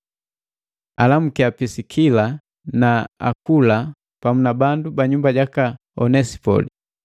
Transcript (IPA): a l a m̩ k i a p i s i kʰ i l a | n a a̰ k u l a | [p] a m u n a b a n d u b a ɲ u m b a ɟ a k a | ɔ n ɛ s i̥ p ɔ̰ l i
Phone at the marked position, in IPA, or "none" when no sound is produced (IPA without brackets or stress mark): p